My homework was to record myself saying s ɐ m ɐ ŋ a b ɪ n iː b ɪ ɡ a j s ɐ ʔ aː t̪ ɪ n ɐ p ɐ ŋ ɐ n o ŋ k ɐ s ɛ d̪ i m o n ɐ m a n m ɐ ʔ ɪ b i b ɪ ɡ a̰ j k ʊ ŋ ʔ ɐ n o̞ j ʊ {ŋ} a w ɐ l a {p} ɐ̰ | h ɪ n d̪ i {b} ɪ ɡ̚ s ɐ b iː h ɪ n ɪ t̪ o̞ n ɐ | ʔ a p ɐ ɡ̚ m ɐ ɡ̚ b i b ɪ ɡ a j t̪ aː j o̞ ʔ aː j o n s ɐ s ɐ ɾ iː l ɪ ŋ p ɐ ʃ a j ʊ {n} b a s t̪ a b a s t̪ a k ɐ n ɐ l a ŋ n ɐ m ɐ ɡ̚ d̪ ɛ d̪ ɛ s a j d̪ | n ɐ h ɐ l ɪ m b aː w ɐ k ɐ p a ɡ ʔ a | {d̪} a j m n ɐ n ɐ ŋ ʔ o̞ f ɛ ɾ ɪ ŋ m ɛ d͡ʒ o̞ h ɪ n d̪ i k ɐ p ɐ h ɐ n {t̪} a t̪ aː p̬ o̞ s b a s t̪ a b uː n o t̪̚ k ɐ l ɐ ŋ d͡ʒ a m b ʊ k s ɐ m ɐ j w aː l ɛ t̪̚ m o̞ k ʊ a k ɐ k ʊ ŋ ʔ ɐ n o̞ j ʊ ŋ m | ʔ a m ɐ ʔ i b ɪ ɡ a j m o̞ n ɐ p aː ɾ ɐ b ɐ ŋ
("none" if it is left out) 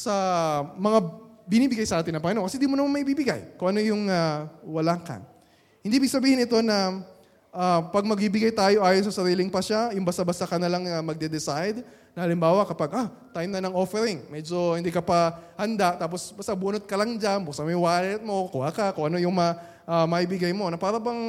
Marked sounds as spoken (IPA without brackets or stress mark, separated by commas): ŋ, k, b, ŋ, t̪, d̪